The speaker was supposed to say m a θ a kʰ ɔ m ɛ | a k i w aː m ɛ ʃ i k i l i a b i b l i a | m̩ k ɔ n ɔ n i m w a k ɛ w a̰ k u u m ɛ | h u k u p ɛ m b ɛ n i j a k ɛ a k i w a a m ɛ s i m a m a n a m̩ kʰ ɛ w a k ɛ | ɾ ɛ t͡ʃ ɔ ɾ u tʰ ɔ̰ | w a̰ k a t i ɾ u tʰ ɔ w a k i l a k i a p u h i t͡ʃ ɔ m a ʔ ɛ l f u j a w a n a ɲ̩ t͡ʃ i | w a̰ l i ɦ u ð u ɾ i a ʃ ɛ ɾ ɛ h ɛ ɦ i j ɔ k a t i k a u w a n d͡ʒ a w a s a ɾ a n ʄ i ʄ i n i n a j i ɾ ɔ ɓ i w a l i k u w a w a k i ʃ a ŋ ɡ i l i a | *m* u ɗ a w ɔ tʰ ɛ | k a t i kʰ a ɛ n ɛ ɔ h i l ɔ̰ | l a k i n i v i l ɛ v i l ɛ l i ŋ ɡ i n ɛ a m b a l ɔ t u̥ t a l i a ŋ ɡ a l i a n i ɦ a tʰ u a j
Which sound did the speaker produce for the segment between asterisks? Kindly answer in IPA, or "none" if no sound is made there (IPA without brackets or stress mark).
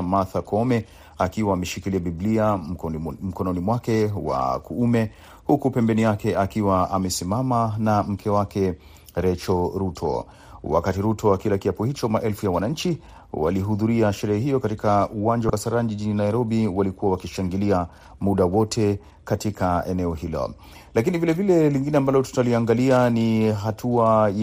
m